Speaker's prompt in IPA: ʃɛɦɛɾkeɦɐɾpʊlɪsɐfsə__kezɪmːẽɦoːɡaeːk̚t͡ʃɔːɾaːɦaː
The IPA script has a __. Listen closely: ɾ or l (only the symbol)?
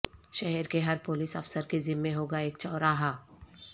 ɾ